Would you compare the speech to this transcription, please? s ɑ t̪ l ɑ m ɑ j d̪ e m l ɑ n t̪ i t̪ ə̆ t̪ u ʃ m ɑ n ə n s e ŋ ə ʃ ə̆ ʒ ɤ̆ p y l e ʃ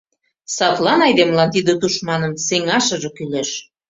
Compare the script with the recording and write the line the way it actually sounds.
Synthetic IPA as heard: s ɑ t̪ l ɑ n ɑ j d̪ e m l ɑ n t̪ i d̪ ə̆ t̪ u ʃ m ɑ n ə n s e ŋ ɑ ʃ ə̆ ʒ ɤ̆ k y l e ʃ